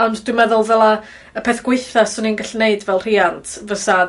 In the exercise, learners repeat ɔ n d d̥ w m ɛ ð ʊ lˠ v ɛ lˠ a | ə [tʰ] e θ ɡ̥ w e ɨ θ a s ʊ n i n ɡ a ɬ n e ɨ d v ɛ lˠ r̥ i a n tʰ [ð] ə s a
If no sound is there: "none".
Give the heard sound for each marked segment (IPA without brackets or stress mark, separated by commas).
pʰ, v